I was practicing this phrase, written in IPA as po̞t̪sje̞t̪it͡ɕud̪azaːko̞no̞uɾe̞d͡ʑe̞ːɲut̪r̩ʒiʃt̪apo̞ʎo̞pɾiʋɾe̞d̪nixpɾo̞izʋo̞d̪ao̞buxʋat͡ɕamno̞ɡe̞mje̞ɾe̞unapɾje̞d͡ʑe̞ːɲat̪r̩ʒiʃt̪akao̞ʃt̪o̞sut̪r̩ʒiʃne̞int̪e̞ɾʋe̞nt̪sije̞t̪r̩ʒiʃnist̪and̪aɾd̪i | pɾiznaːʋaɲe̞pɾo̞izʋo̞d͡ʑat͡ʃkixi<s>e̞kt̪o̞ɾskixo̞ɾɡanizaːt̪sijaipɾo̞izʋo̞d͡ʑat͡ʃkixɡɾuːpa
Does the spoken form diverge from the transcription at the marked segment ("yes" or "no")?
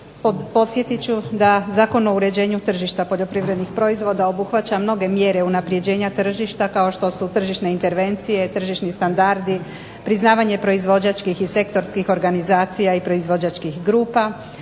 no